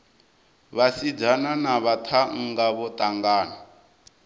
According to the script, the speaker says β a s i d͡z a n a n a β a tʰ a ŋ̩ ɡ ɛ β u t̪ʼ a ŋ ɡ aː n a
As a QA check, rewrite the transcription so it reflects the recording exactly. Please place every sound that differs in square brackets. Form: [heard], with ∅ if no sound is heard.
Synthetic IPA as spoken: β a s i d͡z a n a n a β a tʰ a ŋ̩ ɡ [a] β [ɔ] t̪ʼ a ŋ ɡ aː n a